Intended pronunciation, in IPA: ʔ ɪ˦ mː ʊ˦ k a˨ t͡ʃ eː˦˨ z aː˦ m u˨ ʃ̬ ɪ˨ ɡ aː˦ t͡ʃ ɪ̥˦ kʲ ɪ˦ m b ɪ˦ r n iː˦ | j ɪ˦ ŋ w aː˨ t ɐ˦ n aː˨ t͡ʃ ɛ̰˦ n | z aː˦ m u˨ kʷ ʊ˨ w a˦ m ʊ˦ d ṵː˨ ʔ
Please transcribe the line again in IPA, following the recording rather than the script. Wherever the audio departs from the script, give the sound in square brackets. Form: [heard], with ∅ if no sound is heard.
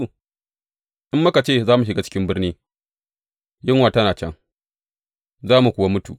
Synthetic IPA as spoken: ʔ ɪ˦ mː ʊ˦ k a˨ t͡ʃ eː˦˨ z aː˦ m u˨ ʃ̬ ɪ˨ ɡ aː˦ t͡ʃ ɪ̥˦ kʲ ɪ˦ m b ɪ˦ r n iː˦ | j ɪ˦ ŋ w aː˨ t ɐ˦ n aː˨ t͡ʃ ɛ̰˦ [ŋ] | z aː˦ m u˨ kʷ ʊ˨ w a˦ m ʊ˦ [t] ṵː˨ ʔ

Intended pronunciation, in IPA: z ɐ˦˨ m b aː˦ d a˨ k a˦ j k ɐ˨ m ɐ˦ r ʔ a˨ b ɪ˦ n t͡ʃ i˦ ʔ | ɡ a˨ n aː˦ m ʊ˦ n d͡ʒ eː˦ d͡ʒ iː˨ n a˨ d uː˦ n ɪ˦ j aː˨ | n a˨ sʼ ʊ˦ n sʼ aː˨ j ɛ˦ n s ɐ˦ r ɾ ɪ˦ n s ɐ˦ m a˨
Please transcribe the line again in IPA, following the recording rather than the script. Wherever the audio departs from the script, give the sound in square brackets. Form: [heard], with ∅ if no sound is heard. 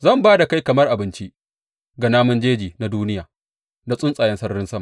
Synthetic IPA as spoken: z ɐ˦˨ m b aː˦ d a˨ k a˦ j k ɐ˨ m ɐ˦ r ʔ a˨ b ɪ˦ n t͡ʃ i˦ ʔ | ɡ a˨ n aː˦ m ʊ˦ n d͡ʒ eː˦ d͡ʒ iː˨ n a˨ d uː˦ n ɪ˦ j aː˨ | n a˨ sʼ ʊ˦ n sʼ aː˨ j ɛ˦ n s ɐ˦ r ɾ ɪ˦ n s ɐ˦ m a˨

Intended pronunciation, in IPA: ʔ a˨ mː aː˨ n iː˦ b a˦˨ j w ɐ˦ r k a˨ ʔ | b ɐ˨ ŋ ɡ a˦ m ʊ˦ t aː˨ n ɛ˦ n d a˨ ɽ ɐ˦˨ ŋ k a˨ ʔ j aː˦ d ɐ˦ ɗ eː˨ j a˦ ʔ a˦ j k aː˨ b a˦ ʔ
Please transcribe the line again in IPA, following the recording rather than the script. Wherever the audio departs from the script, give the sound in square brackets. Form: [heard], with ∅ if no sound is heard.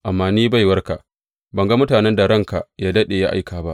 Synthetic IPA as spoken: ʔ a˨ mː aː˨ n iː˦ b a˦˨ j w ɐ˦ r k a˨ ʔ | b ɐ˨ ŋ ɡ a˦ m ʊ˦ t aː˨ n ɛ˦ n d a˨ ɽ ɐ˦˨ ŋ k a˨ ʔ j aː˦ d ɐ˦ ɗ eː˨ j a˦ ʔ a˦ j k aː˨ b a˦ ʔ

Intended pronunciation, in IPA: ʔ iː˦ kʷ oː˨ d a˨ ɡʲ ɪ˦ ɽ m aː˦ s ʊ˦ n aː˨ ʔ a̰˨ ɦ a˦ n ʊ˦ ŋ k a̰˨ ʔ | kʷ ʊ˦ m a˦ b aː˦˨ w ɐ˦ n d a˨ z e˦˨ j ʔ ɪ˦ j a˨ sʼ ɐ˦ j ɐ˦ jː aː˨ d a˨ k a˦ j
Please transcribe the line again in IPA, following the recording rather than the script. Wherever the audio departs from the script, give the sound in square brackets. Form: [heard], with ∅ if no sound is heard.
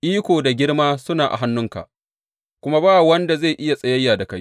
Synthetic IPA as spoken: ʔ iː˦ kʷ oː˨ d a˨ ɡʲ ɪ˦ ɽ m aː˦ s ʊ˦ n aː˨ ʔ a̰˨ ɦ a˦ [nː] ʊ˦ ŋ k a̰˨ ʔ | kʷ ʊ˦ m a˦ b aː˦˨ w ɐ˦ n d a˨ z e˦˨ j ʔ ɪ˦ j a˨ sʼ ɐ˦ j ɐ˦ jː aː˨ d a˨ k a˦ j

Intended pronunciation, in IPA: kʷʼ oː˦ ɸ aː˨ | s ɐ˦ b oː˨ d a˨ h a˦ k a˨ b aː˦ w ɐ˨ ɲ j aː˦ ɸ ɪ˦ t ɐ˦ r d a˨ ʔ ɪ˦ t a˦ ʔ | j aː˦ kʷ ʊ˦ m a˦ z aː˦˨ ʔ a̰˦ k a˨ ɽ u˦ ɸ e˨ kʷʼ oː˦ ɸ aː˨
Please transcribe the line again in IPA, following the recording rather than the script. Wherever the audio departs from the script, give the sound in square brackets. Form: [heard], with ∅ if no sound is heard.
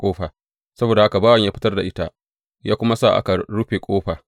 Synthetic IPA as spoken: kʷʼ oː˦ ɸ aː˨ | s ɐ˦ b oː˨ d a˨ h a˦ k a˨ b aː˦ w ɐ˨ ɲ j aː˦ ɸ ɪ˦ t ɐ˦ r d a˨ ʔ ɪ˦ t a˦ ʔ | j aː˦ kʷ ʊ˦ m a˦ [s] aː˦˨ ʔ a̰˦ k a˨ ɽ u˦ ɸ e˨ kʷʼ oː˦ ɸ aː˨

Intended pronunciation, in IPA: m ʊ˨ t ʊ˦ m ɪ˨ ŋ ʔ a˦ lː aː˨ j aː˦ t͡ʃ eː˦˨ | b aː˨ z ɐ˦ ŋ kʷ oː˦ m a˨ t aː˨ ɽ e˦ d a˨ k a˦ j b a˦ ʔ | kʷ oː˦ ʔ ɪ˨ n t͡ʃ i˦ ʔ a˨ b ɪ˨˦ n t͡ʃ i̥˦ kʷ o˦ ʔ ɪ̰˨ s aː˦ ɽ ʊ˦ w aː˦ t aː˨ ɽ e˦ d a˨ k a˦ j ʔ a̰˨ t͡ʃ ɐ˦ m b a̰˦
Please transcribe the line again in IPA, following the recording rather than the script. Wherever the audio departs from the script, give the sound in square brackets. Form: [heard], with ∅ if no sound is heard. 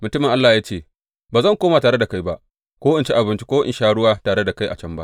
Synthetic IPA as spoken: m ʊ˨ t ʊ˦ m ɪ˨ ŋ ʔ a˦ lː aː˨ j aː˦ t͡ʃ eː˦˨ | b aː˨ z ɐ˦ ŋ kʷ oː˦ m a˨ t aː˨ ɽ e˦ d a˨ k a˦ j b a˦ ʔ | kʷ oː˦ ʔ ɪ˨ n t͡ʃ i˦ ʔ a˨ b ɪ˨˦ n t͡ʃ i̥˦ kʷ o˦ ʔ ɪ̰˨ [ʃ] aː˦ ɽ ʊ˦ w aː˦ t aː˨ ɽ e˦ d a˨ k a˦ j ʔ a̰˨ t͡ʃ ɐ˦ m b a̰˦

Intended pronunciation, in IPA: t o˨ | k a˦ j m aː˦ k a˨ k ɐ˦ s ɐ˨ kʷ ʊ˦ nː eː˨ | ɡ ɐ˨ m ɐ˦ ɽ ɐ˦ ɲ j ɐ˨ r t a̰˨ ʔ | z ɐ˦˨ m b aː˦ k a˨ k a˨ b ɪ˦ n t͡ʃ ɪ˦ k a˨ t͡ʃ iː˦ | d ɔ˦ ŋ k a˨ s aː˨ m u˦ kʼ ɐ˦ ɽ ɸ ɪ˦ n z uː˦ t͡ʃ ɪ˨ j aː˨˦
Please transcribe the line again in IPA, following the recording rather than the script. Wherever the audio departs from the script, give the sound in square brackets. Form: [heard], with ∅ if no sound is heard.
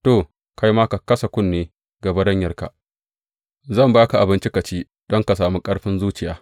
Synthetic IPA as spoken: t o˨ | k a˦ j m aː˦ k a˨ k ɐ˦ s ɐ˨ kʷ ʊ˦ nː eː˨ | ɡ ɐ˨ [b] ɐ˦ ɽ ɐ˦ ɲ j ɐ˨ r [k] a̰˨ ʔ | z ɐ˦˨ m b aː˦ k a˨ [ʔ] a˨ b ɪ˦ n t͡ʃ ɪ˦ k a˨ t͡ʃ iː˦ | d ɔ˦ ŋ k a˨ s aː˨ m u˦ kʼ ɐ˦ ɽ ɸ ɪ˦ n z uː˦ t͡ʃ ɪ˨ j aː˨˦

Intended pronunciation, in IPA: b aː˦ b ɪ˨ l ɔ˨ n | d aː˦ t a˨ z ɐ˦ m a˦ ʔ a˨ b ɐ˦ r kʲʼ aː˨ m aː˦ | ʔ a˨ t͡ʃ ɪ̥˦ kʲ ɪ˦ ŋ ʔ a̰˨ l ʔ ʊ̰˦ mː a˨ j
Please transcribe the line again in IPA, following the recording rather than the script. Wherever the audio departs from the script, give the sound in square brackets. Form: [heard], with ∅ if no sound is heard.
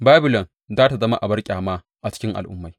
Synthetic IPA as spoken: b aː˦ b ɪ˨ l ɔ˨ n | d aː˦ t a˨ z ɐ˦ m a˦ ʔ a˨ b ɐ˦ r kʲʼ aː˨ m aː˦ | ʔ a˨ t͡ʃ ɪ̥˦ kʲ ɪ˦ ŋ ʔ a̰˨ l ʔ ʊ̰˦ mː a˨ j

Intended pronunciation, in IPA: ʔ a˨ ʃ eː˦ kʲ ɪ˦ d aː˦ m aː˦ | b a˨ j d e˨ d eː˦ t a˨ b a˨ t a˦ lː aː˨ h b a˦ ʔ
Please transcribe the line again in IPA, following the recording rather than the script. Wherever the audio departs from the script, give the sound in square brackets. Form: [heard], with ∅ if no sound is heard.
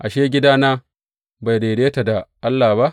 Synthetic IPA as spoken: ʔ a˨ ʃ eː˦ [ɡʲ] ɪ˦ d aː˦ [n] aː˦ | b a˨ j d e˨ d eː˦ t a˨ [d] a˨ [ʔ] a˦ lː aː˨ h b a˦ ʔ

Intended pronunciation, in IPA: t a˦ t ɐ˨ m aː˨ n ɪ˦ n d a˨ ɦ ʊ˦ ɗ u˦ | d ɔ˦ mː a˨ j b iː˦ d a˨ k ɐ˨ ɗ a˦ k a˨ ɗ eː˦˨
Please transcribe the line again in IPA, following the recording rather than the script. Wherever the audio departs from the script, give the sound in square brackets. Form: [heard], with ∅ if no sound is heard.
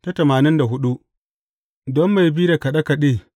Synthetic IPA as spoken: t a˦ t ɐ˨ m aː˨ n ɪ˦ n d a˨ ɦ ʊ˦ ɗ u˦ | d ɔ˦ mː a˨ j b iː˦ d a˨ k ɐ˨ ɗ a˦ k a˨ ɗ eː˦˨

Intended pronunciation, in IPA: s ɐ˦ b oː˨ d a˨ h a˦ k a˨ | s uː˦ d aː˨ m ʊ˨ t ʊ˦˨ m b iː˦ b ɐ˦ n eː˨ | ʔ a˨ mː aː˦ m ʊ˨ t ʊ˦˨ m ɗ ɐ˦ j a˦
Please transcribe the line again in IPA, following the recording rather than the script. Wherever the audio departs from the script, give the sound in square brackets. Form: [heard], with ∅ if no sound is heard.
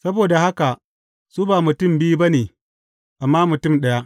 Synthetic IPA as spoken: s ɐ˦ b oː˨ d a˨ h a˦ k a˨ | s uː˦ [b] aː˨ m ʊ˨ t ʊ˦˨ m b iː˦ b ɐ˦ n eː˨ | ʔ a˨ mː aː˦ m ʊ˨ t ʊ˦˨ m ɗ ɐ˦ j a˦

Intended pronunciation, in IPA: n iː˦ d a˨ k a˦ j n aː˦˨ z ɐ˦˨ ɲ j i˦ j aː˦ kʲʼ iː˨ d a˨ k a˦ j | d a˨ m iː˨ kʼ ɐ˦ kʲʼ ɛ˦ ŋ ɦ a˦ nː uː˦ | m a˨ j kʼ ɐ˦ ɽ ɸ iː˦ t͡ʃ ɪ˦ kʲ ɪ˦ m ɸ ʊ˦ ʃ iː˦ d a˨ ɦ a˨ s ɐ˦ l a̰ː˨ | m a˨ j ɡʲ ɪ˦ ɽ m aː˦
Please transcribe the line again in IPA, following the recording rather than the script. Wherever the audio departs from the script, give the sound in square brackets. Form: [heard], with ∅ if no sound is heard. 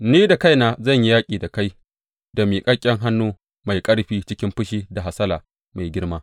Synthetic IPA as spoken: n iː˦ d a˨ k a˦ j n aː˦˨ z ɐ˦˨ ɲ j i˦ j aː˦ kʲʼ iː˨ d a˨ k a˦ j | d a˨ m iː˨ kʼ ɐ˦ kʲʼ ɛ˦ ŋ ɦ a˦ nː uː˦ | m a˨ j kʼ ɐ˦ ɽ ɸ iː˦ t͡ʃ ɪ˦ kʲ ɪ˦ m ɸ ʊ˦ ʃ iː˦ d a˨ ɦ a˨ s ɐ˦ l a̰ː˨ | m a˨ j ɡʲ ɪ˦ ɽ m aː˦

